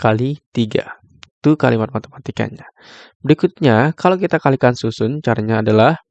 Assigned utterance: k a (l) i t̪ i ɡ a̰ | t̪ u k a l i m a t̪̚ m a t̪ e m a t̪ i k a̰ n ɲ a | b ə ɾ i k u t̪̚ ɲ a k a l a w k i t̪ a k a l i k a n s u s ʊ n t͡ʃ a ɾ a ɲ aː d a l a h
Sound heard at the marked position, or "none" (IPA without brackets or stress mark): l